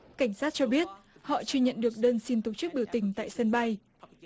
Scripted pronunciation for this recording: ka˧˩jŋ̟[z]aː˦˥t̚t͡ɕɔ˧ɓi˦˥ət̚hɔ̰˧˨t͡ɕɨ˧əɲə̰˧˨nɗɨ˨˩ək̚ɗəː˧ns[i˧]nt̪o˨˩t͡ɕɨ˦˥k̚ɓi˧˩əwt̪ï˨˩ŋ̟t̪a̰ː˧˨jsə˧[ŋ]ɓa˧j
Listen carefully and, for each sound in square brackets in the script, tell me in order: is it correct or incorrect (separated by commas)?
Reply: incorrect, correct, incorrect